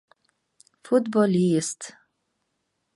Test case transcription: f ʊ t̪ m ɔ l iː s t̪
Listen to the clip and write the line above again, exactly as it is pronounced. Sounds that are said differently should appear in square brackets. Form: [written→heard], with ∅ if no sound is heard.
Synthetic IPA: f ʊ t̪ [m→b] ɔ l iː s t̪